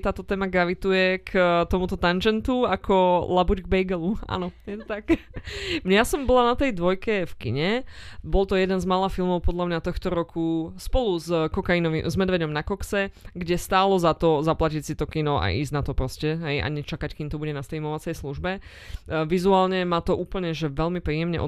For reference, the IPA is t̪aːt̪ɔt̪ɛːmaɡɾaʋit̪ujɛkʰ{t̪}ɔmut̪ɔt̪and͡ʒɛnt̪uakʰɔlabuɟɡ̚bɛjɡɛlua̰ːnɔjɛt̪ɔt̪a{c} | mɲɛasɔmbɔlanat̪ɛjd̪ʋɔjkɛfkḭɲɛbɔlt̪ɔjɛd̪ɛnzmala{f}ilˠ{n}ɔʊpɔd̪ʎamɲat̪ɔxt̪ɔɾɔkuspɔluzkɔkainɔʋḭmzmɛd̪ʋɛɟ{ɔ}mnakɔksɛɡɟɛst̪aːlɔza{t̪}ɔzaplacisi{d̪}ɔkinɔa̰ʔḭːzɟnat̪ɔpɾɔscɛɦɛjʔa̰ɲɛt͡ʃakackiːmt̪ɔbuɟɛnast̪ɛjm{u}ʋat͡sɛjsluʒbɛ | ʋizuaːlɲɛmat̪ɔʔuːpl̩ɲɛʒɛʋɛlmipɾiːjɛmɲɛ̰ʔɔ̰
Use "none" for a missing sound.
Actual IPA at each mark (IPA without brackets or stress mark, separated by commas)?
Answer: t̪, k, f, m, ɔ, t̪, t̪, ɔ